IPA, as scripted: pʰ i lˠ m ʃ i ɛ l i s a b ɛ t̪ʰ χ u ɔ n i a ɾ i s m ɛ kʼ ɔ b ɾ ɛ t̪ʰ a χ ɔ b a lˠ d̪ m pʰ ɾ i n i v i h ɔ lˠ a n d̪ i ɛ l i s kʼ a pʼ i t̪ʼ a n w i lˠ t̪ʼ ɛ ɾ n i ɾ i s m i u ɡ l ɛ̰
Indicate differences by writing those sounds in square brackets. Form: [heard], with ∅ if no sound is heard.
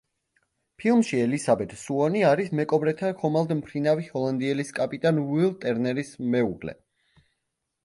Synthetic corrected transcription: pʰ i lˠ m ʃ i ɛ l i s a b ɛ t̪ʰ [s] u ɔ n i a ɾ i s m ɛ kʼ ɔ b ɾ ɛ t̪ʰ a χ ɔ [m] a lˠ d̪ m pʰ ɾ i n [a] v i h ɔ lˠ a n d̪ i ɛ l i s kʼ a pʼ i t̪ʼ a n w i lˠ t̪ʼ ɛ ɾ n [ɛ] ɾ i s m [ɛ] u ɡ l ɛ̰

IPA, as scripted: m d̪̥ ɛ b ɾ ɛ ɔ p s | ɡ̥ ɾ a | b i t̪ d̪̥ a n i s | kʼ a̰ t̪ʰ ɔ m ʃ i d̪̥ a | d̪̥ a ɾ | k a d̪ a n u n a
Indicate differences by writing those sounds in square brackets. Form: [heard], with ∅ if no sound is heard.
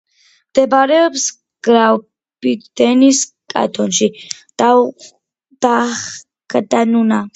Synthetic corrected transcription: m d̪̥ ɛ b ɾ ɛ ɔ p s | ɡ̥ ɾ a | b i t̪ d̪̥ [ɛ] n i s | kʼ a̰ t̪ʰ ɔ [n] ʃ i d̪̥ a | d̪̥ a [∅] | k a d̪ a n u n a

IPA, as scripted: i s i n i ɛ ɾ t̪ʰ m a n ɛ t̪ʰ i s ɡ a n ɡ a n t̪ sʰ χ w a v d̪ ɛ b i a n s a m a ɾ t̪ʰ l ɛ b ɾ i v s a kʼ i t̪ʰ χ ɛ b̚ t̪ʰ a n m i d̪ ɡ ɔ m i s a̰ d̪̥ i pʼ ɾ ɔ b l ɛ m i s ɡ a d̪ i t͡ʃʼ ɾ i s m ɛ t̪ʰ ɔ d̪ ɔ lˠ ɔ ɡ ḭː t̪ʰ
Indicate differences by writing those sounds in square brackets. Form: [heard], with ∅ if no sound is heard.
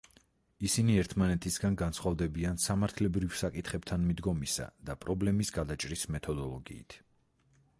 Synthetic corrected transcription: i s i n i ɛ ɾ t̪ʰ m a n ɛ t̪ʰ i s ɡ a n ɡ a n t̪ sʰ χ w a v d̪ ɛ b i a n s a m a ɾ t̪ʰ l ɛ b ɾ i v s a kʼ i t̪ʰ χ ɛ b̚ t̪ʰ a n m i d̪ ɡ ɔ m i s a̰ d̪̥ [a] pʼ ɾ ɔ b l ɛ m i s ɡ a d̪ [a] t͡ʃʼ ɾ i s m ɛ t̪ʰ ɔ d̪ ɔ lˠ ɔ ɡ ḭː t̪ʰ

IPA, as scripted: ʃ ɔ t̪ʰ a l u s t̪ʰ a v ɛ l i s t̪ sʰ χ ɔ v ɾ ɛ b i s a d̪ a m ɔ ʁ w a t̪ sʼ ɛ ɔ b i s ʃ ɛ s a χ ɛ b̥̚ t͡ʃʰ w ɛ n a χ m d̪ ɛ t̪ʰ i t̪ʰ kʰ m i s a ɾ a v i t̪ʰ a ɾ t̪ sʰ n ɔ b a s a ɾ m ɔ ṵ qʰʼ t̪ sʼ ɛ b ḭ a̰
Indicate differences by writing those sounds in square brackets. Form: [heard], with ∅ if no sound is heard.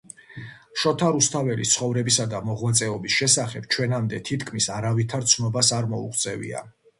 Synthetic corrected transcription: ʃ ɔ t̪ʰ a [ɾ] u s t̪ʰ a v ɛ l i s t̪ sʰ χ ɔ v ɾ ɛ b i s a d̪ a m ɔ ʁ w a t̪ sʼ ɛ ɔ b i s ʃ ɛ s a χ ɛ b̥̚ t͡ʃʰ w ɛ n a [∅] m d̪ ɛ t̪ʰ i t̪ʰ kʰ m i s a ɾ a v i t̪ʰ a ɾ t̪ sʰ n ɔ b a s a ɾ m ɔ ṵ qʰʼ t̪ sʼ ɛ [v] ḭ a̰

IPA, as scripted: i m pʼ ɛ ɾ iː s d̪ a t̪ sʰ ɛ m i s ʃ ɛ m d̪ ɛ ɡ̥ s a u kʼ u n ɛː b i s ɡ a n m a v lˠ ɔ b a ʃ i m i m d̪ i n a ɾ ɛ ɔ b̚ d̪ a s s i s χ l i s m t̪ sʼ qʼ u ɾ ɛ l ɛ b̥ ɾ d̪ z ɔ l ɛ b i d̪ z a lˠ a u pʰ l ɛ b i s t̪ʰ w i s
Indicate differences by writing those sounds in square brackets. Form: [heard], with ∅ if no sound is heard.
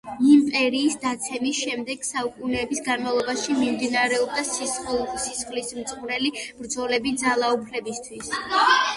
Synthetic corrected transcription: i m pʼ ɛ ɾ iː s d̪ a t̪ sʰ ɛ m i s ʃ ɛ m d̪ ɛ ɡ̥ s a u kʼ u n ɛː b i s ɡ a n m a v lˠ ɔ b a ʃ i m i m d̪ i n a ɾ ɛ ɔ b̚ d̪ a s s i s χ l i s m t̪ sʼ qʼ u ɾ ɛ l [i] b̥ ɾ d̪ z ɔ l ɛ b i d̪ z a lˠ a u pʰ l ɛ b i s t̪ʰ w i s

